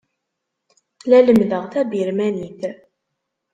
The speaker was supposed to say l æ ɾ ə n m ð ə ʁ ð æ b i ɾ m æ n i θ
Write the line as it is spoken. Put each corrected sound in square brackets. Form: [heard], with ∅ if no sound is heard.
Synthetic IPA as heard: l æ [l] ə [∅] m ð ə ʁ [θ] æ b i ɾ m æ n i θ